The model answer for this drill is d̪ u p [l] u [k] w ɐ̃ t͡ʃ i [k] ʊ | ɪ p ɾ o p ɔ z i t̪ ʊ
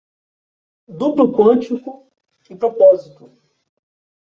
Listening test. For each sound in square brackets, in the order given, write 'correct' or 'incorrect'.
correct, correct, correct

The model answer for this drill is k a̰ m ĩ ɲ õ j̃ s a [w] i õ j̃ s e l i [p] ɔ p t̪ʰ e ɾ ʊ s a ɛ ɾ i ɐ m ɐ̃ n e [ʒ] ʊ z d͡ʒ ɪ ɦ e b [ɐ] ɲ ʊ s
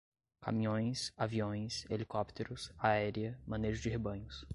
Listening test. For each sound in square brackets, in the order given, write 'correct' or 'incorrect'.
incorrect: v, incorrect: k, correct, incorrect: ɐ̃

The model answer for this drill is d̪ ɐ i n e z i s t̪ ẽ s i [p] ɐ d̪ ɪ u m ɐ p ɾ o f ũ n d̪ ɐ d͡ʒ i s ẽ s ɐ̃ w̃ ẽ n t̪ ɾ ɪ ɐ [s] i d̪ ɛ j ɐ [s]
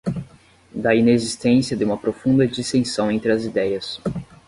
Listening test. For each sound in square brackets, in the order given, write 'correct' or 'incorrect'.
incorrect: none, incorrect: z, correct

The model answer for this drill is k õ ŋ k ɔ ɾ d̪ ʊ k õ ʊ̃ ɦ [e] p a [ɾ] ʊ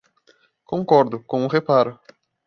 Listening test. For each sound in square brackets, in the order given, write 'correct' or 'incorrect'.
correct, correct

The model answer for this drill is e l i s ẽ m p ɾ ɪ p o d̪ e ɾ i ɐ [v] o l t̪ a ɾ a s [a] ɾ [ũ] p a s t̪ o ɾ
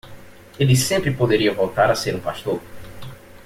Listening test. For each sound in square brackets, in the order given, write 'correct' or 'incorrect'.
correct, incorrect: e, correct

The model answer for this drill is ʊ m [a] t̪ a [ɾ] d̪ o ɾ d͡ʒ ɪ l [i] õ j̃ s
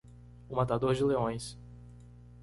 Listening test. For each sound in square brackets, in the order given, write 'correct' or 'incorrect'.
correct, incorrect: none, incorrect: e

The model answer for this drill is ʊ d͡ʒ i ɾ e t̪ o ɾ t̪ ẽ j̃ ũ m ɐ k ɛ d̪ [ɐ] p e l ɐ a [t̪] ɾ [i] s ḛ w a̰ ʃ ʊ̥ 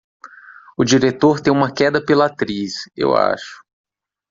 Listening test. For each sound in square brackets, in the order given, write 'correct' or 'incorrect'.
correct, correct, correct

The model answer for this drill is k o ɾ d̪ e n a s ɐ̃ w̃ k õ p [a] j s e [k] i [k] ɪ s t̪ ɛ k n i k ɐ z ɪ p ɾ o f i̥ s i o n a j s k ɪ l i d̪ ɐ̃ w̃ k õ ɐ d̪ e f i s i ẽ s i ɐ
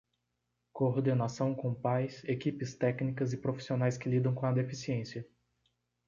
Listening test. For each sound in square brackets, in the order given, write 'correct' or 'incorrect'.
correct, correct, incorrect: p

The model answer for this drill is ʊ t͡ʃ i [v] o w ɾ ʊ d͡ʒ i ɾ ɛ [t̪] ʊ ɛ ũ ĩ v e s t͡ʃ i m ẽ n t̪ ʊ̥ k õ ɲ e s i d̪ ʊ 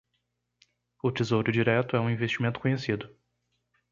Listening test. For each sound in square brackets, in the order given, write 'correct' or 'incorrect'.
incorrect: z, correct

